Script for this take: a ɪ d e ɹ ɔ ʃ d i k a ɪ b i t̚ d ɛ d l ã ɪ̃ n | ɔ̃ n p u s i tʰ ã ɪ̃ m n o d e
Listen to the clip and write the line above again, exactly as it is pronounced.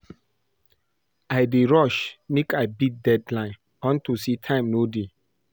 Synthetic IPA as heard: a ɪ d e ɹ ɔ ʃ n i k a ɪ b i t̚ d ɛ d l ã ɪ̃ n | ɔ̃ n t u s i tʰ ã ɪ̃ m n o d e

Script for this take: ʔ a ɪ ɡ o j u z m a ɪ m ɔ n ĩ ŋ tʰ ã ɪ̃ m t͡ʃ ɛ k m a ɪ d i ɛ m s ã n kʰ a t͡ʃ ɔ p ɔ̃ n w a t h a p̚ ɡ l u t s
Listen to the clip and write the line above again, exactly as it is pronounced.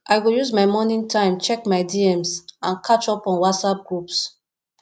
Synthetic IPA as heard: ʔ a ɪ ɡ o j u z m a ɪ m ɔ n ĩ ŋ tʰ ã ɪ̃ m t͡ʃ ɛ k m a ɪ d i ɛ m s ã n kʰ a t͡ʃ ɔ p ɔ̃ n w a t s a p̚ ɡ ɹ u p s

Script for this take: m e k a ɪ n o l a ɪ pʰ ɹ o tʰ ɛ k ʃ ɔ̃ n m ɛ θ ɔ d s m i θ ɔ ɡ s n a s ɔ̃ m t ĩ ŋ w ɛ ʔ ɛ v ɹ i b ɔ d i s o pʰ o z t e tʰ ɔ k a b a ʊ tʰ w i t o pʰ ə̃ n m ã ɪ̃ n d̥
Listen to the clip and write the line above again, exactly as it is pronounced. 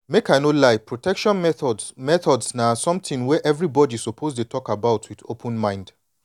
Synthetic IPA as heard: m e k a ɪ n o l a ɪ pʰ ɹ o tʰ ɛ k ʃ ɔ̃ n m ɛ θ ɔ d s m ɛ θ ɔ d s n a s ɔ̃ m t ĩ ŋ w ɛ ʔ ɛ v ɹ i b ɔ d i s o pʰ o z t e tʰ ɔ k a b a ʊ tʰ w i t o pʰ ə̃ n m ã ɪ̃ n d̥

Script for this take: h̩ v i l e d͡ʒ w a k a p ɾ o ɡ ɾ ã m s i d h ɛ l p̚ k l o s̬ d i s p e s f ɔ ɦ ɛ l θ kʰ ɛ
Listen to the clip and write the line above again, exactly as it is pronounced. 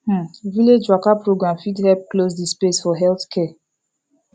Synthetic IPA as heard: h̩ v i l e d͡ʒ w a k a p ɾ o ɡ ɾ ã m f i d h ɛ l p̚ k l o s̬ d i s p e s f ɔ ɦ ɛ l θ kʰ ɛ

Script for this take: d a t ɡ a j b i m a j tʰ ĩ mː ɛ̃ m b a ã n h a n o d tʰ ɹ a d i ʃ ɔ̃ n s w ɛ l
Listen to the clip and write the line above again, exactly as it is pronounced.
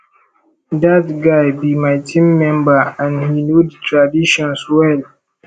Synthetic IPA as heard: d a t ɡ a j b i m a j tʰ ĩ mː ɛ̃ m b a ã n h i n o d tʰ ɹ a d i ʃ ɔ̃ n s w ɛ l

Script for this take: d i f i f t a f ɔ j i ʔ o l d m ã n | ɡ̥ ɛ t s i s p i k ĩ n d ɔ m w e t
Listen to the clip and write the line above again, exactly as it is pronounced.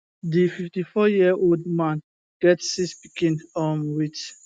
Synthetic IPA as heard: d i f i f t i f ɔ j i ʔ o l d m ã n | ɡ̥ ɛ t s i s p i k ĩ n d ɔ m w i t

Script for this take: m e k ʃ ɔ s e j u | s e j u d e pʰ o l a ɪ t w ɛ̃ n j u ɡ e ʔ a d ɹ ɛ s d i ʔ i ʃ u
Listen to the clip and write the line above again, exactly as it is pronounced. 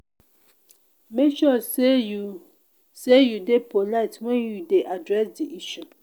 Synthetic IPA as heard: m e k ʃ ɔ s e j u | s e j u d e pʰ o l a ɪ t w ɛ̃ n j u d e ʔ a d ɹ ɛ s d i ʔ i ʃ u

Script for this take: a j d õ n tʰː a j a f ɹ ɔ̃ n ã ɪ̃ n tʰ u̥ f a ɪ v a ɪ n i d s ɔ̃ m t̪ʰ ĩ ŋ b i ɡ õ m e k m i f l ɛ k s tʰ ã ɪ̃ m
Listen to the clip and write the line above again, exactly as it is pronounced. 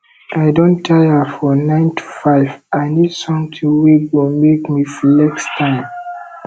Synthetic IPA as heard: a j d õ n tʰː a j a f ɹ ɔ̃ n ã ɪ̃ n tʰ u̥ f a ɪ v a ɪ n i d s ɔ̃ m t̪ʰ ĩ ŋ w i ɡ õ m e k m i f l ɛ k s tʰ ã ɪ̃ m

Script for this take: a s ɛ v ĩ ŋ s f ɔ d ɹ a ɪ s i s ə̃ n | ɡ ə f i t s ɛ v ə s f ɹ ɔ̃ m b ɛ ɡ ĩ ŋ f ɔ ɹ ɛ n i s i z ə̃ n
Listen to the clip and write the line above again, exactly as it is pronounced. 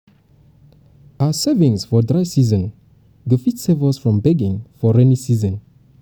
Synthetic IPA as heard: a s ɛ v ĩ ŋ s f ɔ d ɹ a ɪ s i z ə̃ n | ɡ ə f i t s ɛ v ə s f ɹ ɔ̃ m b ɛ ɡ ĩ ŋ f ɔ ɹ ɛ n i s i z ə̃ n

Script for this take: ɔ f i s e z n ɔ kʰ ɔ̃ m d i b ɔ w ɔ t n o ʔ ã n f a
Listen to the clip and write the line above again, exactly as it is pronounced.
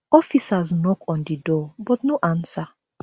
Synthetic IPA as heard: ɔ f i s a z n ɔ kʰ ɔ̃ n d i d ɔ b ɔ t n o ʔ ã n s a

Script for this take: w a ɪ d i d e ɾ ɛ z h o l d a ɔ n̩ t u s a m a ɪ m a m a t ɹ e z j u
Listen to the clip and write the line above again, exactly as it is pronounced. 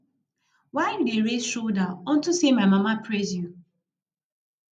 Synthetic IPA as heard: w a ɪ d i d e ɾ e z ʃ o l d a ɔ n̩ t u s e m a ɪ m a m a p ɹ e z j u

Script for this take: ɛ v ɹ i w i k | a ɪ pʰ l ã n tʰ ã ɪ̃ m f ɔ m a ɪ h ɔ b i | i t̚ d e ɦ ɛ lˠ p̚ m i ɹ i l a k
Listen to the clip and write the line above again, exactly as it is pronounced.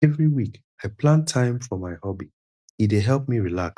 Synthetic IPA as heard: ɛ v ɹ i w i k | a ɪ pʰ l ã n tʰ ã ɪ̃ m f ɔ m a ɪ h ɔ b i | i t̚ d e ɦ ɛ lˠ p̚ m i ɹ i l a k

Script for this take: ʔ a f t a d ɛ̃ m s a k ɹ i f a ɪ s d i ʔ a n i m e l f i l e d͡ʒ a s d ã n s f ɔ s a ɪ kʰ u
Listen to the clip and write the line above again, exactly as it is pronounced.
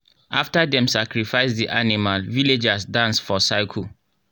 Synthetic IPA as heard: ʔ a f t a d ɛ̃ m s a k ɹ i f a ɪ s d i ʔ a n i m a l v i l e d͡ʒ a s d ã n s f ɔ s a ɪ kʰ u

